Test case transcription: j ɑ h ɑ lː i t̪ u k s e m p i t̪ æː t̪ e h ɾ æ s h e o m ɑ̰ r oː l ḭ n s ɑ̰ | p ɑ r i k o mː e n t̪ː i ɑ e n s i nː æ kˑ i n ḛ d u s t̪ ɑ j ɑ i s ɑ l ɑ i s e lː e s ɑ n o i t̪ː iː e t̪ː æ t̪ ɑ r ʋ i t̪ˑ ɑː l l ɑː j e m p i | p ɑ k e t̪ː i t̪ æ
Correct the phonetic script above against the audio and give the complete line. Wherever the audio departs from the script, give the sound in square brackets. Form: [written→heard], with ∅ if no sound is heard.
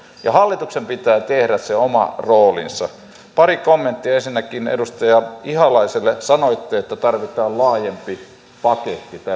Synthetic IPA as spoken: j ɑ h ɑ lː i t̪ u k s e m p i t̪ æː t̪ e h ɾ æ s [h→s] e o m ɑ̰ r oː l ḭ n s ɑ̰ | p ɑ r i k o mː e n t̪ː i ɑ e n s i nː æ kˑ i n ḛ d u s t̪ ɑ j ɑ i [s→h] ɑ l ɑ i s e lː e s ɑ n o i t̪ː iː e t̪ː æ t̪ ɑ r ʋ i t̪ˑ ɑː l l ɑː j e m p i | p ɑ k e t̪ː i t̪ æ